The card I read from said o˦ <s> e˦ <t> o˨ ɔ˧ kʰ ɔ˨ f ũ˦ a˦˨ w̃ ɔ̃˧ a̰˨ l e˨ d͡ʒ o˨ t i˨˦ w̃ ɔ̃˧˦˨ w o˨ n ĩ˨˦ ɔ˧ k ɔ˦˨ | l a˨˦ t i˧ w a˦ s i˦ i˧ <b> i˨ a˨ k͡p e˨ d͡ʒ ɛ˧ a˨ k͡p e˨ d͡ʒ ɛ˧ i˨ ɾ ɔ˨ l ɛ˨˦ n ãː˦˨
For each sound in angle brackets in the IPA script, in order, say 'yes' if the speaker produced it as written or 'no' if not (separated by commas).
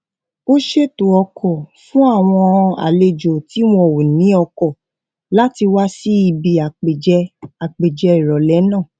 no, yes, yes